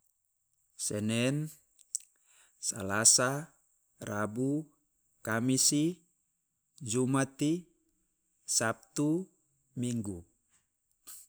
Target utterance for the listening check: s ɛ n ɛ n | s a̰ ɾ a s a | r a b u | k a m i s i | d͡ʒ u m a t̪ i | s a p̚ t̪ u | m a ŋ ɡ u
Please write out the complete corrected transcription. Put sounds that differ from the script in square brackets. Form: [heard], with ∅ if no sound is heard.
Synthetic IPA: s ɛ n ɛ n | s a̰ [l] a s a | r a b u | k a m i s i | d͡ʒ u m a t̪ i | s a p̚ t̪ u | m [i] ŋ ɡ u